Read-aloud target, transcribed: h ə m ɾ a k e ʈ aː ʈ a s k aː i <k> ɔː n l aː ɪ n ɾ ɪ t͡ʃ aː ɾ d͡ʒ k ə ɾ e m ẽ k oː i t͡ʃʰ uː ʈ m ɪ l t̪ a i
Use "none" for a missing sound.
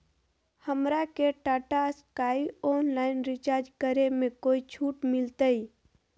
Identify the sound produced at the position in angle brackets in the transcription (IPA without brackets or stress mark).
none